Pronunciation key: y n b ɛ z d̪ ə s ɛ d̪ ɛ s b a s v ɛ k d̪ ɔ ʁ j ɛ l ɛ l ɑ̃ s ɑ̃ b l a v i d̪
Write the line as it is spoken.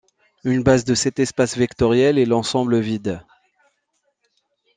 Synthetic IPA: y n b a z d̪ ə s ɛ t̪ ɛ s p a s v ɛ k t̪ ɔ ʁ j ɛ l ɛ l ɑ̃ s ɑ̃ b l ə v i d̪